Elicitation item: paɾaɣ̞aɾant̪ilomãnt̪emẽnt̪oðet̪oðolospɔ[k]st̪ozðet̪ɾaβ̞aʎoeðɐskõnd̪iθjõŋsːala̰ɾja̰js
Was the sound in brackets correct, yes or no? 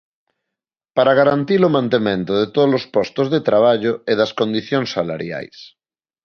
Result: no